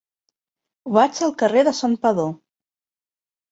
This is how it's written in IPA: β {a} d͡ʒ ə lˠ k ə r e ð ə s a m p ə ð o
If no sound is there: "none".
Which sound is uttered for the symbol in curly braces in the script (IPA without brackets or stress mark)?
a